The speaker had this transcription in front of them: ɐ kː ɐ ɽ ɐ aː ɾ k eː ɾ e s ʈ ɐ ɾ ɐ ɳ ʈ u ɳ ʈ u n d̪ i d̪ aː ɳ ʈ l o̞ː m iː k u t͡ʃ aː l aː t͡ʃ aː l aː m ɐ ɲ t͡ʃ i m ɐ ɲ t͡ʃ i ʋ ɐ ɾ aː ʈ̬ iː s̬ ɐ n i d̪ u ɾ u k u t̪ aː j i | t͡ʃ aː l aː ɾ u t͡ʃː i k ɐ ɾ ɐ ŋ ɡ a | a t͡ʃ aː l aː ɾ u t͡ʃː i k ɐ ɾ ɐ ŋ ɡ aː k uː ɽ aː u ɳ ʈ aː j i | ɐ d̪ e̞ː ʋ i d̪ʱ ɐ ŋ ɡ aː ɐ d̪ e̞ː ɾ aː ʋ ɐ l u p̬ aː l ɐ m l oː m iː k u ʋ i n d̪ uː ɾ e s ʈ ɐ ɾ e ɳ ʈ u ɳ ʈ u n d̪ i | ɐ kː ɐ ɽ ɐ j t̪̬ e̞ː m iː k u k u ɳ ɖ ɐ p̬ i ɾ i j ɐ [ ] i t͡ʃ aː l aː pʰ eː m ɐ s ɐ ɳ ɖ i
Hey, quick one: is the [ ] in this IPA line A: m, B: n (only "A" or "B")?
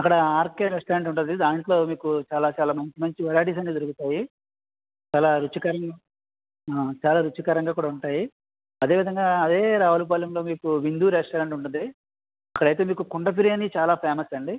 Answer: B